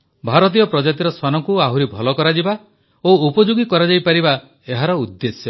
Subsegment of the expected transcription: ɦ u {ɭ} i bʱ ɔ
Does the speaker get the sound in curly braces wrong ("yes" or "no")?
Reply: yes